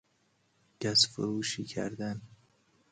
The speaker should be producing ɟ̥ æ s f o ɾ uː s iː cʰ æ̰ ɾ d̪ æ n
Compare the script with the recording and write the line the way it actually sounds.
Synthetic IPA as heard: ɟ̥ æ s f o ɾ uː ʃ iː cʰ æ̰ ɾ d̪ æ n